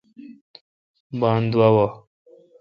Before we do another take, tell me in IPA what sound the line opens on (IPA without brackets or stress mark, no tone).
b